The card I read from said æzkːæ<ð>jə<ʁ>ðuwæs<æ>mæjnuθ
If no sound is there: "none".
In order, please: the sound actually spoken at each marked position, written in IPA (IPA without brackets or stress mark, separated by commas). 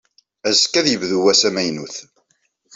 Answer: ð, v, æ